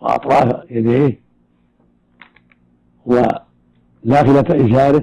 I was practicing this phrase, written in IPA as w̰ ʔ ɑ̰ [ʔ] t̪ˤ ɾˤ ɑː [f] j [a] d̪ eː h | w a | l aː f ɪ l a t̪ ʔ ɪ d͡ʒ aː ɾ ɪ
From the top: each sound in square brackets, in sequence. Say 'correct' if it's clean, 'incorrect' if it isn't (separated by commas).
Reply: incorrect, correct, correct